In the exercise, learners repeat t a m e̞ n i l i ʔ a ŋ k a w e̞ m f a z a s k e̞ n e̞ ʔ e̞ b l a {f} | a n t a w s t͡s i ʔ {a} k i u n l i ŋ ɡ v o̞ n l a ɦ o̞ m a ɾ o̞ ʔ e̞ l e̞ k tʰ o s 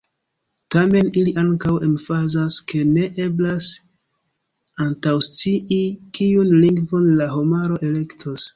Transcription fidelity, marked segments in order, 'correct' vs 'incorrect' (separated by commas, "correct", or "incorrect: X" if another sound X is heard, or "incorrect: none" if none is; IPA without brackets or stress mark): incorrect: s, incorrect: i